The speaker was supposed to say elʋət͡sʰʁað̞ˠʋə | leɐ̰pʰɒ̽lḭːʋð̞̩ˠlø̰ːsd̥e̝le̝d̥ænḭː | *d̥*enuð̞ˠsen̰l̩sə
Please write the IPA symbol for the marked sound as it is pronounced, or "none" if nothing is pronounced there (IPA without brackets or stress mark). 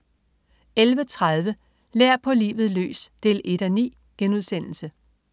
ɡ̥